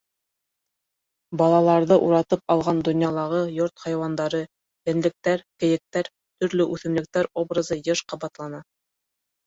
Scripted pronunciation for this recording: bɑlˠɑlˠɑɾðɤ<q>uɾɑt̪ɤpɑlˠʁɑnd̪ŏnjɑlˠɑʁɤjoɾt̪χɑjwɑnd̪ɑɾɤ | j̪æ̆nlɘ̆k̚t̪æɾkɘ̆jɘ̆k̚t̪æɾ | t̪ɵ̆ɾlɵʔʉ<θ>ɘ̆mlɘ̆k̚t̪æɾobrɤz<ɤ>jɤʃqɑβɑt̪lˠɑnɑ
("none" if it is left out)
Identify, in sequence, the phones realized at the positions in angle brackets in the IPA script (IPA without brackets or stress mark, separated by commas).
ʔ, θ, ɤ